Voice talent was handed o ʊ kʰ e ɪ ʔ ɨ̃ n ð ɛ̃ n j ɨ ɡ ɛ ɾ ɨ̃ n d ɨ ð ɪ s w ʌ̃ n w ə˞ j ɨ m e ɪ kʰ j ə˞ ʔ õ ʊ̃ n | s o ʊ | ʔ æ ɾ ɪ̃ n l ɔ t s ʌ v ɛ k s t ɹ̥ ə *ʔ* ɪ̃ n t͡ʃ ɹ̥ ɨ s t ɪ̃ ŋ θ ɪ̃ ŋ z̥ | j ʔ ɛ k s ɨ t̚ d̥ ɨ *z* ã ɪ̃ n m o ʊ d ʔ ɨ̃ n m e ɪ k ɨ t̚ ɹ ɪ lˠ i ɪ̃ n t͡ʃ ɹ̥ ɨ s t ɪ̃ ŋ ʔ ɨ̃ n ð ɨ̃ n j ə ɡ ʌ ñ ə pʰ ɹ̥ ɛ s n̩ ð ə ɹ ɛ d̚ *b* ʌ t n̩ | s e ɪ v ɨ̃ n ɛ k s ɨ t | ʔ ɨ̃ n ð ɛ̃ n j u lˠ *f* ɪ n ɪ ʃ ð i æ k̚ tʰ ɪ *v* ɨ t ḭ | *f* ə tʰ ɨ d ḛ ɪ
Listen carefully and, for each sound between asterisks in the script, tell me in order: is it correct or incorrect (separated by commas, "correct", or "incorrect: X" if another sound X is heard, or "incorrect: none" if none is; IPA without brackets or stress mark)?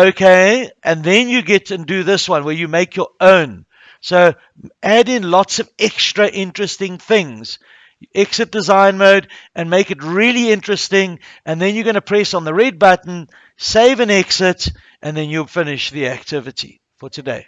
correct, correct, correct, correct, correct, correct